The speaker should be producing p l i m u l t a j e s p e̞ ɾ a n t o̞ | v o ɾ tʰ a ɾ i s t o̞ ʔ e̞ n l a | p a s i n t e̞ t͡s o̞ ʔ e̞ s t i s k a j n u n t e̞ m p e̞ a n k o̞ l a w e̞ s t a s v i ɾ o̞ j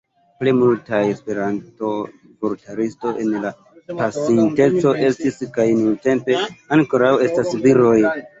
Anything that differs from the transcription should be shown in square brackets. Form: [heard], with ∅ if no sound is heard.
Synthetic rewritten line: p l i m u l t a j e s p e̞ ɾ a n t o̞ | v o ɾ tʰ a ɾ i s t o̞ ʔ e̞ n l a | p a s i n t e̞ t͡s o̞ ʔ e̞ s t i s k a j n u n t e̞ m p e̞ a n k o̞ [ɾ] a w e̞ s t a s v i ɾ o̞ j